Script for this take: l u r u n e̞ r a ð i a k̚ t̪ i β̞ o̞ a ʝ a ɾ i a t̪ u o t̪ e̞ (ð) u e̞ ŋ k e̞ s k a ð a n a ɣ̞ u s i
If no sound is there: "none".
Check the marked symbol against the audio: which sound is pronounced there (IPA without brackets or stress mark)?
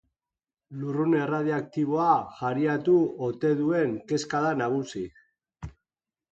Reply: ð